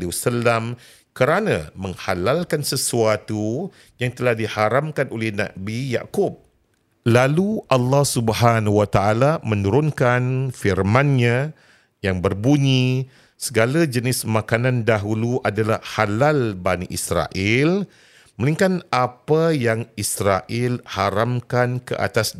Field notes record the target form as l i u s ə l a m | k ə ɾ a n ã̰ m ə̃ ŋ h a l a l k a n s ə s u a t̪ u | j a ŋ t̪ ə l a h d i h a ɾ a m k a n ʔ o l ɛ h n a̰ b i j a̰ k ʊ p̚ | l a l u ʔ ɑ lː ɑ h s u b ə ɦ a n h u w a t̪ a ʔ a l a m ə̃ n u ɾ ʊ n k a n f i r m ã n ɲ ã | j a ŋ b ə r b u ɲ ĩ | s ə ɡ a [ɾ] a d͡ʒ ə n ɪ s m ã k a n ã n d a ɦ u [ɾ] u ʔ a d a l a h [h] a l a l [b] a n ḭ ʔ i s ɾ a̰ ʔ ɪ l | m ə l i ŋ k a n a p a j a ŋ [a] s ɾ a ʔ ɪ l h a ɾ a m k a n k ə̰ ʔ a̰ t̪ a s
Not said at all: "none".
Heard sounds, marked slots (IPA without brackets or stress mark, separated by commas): l, l, h, b, i